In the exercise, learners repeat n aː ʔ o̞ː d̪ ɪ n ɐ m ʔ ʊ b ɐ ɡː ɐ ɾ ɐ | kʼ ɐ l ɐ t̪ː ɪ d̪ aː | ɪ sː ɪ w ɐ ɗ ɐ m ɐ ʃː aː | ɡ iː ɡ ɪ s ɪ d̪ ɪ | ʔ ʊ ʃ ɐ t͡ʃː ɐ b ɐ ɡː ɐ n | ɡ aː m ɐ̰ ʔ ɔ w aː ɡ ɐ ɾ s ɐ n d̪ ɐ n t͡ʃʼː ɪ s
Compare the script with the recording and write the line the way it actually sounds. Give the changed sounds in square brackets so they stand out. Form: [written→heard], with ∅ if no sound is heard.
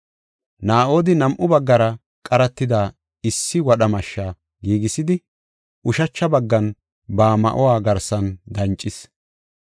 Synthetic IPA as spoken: n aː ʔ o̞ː d̪ ɪ n ɐ m ʔ ʊ b ɐ ɡː ɐ ɾ ɐ | kʼ ɐ [l→ɾ] ɐ t̪ː ɪ d̪ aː | ɪ sː ɪ w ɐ ɗ ɐ m ɐ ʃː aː | ɡ iː ɡ ɪ s ɪ d̪ ɪ | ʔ ʊ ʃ ɐ t͡ʃː ɐ b ɐ ɡː ɐ n | [ɡ→b] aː m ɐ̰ ʔ ɔ w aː ɡ ɐ ɾ s ɐ n d̪ ɐ n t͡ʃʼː ɪ s

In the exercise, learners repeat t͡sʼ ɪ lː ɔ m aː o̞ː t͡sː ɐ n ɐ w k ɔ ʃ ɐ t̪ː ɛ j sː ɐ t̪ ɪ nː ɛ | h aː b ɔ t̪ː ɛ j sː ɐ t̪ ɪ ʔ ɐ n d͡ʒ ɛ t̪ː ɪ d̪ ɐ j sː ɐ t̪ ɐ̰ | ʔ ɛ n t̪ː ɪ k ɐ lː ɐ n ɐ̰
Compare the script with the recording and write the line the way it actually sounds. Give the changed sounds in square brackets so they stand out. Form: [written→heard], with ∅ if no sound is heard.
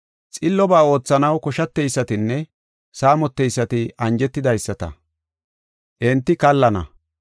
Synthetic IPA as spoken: t͡sʼ ɪ lː ɔ [m→b] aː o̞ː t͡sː ɐ n ɐ w k ɔ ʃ ɐ t̪ː ɛ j sː ɐ t̪ ɪ nː ɛ | [h→s] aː [b→m] ɔ t̪ː ɛ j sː ɐ t̪ ɪ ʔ ɐ n d͡ʒ ɛ t̪ː ɪ d̪ ɐ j sː ɐ t̪ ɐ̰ | ʔ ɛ n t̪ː ɪ k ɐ lː ɐ n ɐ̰

